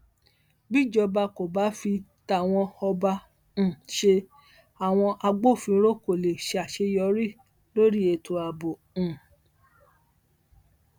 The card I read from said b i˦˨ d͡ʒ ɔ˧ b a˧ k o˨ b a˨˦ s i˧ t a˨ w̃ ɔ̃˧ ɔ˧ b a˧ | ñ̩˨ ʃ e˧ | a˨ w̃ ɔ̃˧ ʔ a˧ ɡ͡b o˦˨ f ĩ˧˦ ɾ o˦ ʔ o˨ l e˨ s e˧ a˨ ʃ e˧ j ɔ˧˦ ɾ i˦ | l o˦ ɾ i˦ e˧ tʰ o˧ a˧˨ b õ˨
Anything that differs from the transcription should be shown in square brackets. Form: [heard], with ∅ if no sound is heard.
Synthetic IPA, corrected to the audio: b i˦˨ d͡ʒ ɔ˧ b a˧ k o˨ b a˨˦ [f] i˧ t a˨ w̃ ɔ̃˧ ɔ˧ b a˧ | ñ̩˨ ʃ e˧ | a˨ w̃ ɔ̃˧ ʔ a˧ ɡ͡b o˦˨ f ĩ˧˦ ɾ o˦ [k] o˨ l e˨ [ʃ] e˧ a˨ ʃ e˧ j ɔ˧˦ ɾ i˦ | l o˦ ɾ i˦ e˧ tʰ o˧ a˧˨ b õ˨

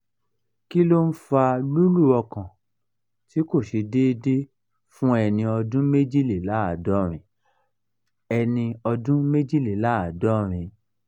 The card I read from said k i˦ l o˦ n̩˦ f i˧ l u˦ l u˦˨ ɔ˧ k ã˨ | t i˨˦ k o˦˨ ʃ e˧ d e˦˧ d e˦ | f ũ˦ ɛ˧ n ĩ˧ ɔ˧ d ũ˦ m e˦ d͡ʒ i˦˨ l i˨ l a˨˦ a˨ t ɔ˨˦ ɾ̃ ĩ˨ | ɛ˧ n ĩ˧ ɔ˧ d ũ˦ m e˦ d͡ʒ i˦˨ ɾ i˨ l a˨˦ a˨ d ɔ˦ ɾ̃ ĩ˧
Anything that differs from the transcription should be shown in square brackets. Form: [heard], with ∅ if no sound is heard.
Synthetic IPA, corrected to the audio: k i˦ l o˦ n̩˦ f [a˧] l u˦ l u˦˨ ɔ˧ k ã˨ | t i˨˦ k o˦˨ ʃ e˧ d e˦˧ d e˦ | f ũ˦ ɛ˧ n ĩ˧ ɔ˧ d ũ˦ m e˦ d͡ʒ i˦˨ l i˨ l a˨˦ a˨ [d] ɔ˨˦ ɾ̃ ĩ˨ | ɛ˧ n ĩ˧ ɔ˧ d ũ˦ m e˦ d͡ʒ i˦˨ [l] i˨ l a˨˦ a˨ d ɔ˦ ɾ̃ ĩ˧

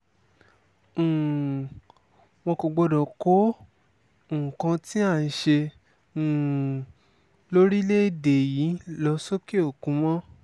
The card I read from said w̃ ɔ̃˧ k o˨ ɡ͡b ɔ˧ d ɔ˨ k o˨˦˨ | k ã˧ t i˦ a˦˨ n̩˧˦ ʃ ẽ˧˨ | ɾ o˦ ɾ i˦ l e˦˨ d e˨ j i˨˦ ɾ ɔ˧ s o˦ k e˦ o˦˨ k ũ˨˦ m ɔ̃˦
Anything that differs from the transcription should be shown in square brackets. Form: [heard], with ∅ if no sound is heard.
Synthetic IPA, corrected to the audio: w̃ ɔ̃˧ k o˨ ɡ͡b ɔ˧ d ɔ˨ k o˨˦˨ | k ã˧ t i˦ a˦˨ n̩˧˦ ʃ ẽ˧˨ | [l] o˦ ɾ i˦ l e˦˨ d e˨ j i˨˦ [l] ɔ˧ s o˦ k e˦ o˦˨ k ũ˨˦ m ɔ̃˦

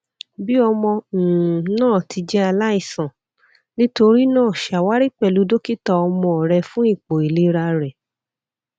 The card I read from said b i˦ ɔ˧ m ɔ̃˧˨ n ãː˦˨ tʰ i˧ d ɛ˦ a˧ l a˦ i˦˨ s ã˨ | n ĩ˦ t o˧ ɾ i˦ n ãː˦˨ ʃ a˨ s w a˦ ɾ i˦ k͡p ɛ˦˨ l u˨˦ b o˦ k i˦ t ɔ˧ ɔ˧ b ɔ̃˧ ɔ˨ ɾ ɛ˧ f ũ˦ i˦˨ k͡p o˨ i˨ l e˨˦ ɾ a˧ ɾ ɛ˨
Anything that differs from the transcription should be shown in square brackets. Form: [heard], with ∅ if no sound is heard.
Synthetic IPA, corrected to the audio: b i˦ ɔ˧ m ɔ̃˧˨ n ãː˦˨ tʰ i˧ [d͡ʒ] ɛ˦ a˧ l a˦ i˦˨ s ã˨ | n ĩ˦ t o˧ ɾ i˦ n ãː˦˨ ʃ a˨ [∅] w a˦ ɾ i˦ k͡p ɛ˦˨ l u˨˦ [d] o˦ k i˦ t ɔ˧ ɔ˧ [m] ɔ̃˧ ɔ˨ ɾ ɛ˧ f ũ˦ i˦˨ k͡p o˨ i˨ l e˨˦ ɾ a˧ ɾ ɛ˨

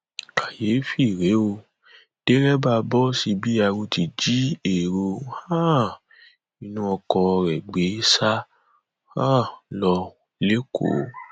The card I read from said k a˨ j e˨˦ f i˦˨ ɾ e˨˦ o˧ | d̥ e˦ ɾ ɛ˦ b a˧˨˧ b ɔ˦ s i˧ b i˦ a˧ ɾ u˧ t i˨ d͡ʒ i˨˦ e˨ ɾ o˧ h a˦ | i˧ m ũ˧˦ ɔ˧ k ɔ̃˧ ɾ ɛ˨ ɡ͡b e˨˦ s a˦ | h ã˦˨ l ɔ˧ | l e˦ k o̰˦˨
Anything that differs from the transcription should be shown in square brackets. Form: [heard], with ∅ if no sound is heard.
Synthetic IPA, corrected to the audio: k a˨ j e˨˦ f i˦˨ ɾ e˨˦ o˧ | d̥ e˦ ɾ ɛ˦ b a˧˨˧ b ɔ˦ s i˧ b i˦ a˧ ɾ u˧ t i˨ d͡ʒ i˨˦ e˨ ɾ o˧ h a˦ | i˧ [n] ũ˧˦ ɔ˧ k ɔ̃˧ ɾ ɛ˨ ɡ͡b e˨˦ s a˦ | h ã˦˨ l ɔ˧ | l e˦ k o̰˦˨

